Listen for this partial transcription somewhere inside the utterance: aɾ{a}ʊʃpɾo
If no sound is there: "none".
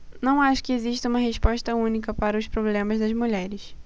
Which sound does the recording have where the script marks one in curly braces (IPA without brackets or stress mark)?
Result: ɐ